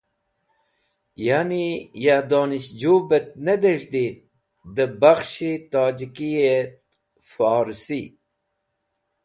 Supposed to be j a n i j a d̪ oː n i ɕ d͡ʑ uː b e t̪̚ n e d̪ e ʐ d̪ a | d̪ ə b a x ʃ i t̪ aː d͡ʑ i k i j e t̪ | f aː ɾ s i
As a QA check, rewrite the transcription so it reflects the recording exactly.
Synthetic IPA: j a n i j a d̪ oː n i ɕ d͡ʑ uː b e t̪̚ n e d̪ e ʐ d̪ i | d̪ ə b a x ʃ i t̪ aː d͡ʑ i k i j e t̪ | f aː ɾ s i